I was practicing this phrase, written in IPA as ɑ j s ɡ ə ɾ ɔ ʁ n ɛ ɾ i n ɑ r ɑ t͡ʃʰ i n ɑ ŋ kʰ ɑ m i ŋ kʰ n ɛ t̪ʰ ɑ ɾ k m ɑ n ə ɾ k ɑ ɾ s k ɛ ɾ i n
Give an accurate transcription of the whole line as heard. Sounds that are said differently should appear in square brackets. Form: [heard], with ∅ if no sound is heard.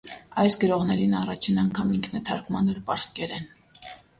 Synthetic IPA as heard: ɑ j s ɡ ə ɾ ɔ ʁ n ɛ ɾ i n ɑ r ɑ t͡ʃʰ i n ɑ ŋ kʰ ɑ m i ŋ kʰ n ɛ t̪ʰ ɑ ɾ k m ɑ n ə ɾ [p] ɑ ɾ s k ɛ ɾ [ɛ] n